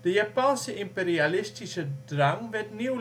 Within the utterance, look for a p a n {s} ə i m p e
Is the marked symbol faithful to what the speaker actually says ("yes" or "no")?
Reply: yes